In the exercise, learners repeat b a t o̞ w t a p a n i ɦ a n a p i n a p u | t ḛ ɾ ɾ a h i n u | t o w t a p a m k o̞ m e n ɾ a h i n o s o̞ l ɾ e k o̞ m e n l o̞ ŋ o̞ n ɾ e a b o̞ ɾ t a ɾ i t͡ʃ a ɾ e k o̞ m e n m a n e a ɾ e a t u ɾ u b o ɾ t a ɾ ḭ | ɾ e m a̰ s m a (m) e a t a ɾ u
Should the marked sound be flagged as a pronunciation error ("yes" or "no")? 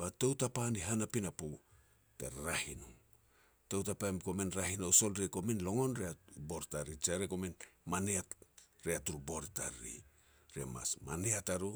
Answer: yes